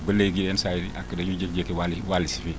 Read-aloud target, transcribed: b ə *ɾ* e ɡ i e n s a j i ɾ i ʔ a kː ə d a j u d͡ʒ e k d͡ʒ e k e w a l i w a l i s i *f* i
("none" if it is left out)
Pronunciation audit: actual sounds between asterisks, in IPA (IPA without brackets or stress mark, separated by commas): l, f